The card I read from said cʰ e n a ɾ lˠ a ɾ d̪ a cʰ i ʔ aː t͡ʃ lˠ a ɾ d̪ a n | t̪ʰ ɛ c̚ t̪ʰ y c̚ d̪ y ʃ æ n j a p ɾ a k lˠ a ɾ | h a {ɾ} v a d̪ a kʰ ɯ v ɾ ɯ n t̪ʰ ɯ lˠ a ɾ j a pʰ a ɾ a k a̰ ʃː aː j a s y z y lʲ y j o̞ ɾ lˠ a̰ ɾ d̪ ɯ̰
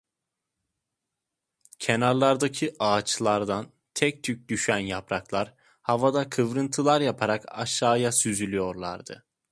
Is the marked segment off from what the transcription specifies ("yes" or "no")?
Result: yes